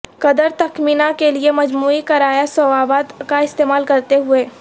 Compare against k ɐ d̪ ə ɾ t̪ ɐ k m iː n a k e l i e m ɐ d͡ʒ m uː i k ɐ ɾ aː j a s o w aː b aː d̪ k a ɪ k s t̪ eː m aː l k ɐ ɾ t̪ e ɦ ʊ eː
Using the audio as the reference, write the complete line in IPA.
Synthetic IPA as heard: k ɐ d̪ ə ɾ t̪ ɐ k m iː n a k e l i e m ɐ d͡ʒ m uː i k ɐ ɾ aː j a s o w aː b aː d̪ k a ɪ s t̪ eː m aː l k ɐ ɾ t̪ e ɦ ʊ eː

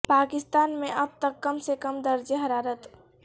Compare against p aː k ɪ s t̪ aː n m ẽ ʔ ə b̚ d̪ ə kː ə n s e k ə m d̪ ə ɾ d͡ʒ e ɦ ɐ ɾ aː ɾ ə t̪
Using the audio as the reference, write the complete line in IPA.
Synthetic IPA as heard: p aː k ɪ s t̪ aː n m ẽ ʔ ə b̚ t̪ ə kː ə m s e k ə m d̪ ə ɾ d͡ʒ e ɦ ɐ ɾ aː ɾ ə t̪

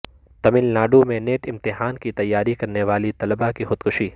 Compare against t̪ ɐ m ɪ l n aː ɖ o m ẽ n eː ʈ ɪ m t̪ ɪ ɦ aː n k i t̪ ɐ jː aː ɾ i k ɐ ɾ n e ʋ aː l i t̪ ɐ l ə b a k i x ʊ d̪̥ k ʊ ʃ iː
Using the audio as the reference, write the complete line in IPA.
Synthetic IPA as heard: t̪ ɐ m ɪ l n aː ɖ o m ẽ n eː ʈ ɪ m t̪ ɪ ɦ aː n k i t̪ ɐ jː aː ɾ i k ɐ ɾ n e ʋ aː l i t̪ ɐ l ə b a k i x ʊ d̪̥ k ʊ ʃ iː

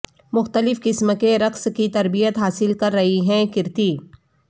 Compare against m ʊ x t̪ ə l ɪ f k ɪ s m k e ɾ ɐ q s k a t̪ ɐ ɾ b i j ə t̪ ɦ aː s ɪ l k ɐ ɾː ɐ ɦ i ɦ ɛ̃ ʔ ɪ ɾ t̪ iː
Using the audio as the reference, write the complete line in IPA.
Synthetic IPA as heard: m ʊ x t̪ ə l ɪ f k ɪ s m k e ɾ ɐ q s k i t̪ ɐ ɾ b i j ə t̪ ɦ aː s ɪ l k ɐ ɾː ɐ ɦ i ɦ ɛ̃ k ɪ ɾ t̪ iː

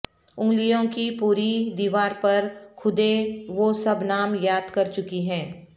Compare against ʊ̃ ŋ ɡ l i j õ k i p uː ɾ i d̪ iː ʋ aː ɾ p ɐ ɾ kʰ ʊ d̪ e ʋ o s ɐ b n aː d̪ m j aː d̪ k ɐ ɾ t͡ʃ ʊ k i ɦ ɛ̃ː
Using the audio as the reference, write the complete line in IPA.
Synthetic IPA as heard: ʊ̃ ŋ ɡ l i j õ k i p uː ɾ i d̪ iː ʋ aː ɾ p ɐ ɾ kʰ ʊ d̪ e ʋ o s ɐ b n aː m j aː d̪ k ɐ ɾ t͡ʃ ʊ k i ɦ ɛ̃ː

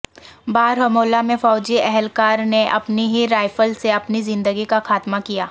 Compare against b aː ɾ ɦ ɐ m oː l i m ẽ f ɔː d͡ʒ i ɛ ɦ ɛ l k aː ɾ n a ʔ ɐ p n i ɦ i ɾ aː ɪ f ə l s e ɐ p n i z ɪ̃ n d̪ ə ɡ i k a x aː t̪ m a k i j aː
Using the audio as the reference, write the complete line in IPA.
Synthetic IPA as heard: b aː ɾ ɦ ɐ m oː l a m ẽ f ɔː d͡ʒ i ɛ ɦ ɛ l k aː ɾ n e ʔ ɐ p n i ɦ i ɾ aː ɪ f ə l s e ɐ p n i z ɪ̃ n d̪ ə ɡ i k a x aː t̪ m a k i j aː

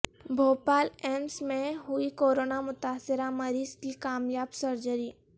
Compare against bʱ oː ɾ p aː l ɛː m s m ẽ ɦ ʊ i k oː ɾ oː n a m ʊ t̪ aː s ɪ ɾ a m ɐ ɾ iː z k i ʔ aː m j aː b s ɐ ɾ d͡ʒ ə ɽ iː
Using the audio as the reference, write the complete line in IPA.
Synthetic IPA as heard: bʱ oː p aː l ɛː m s m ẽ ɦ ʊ i k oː ɾ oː n a m ʊ t̪ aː s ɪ ɾ a m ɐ ɾ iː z k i k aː m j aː b s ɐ ɾ d͡ʒ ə ɾ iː

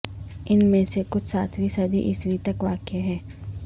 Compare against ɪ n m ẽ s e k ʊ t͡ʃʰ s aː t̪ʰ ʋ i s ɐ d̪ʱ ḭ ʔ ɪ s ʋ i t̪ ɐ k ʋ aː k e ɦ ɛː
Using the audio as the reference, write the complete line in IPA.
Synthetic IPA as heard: ɪ n m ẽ s e k ʊ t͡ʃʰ s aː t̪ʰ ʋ i s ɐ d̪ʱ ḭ ʔ ɪ s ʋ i t̪ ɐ k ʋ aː k e ɦ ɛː

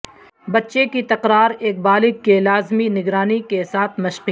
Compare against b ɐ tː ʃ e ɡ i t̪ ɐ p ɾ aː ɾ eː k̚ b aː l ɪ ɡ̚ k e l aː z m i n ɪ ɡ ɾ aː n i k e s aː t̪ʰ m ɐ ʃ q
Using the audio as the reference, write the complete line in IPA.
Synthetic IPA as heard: b ɐ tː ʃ e k i t̪ ɐ q ɾ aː ɾ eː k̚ b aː l ɪ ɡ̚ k e l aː z m i n ɪ ɡ ɾ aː n i k e s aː t̪ʰ m ɐ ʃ q

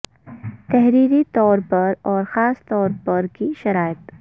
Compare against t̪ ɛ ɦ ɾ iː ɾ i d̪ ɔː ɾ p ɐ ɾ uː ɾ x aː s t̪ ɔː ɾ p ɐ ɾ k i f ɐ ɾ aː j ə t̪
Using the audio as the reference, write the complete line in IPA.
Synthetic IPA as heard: t̪ ɛ ɦ ɾ iː ɾ i t̪ ɔː ɾ p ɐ ɾ ɔː ɾ x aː s t̪ ɔː ɾ p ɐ ɾ k i ʃ ɐ ɾ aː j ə t̪

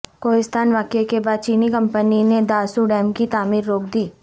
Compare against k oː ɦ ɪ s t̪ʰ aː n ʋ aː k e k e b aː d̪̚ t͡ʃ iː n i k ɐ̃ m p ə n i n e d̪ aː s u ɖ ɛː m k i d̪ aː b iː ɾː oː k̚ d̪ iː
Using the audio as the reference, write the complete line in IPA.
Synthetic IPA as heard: k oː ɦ ɪ s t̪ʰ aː n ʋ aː k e k e b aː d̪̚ t͡ʃ iː n i k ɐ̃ m p ə n i n e d̪ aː s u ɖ ɛː m k i t̪ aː m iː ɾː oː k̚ d̪ iː

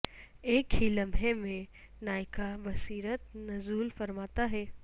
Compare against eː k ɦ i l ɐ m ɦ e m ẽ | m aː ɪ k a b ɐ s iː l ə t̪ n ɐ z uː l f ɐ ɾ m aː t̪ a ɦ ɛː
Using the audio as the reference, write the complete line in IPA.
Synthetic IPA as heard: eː k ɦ i l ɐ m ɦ e m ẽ | n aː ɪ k a b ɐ s iː ɾ ə t̪ n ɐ z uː l f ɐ ɾ m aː t̪ a ɦ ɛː

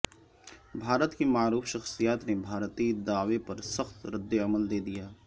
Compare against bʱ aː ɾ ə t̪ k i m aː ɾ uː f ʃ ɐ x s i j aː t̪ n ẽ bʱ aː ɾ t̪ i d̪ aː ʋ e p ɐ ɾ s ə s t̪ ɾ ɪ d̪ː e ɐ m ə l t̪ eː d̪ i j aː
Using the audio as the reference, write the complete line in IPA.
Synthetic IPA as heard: bʱ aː ɾ ə t̪ k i m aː ɾ uː f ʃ ɐ x s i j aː t̪ n e bʱ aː ɾ t̪ i d̪ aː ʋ e p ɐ ɾ s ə x t̪ ɾ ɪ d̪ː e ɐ m ə l d̪ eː d̪ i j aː

